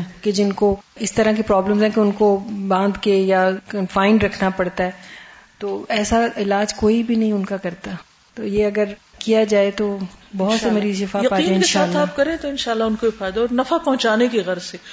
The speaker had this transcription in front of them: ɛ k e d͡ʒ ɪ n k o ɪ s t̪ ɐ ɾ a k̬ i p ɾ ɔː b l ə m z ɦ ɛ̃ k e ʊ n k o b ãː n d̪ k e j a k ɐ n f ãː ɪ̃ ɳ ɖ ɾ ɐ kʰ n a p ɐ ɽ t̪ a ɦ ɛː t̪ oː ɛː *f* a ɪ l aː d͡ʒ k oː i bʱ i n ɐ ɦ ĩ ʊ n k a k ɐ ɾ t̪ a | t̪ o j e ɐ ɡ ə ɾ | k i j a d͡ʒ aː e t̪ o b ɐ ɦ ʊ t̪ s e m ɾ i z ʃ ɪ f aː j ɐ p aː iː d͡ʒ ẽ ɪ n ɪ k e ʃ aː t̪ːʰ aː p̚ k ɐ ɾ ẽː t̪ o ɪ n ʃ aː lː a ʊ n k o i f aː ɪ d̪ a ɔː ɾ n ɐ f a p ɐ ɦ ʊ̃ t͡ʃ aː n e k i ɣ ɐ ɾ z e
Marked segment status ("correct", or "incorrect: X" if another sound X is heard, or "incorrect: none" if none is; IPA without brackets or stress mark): incorrect: s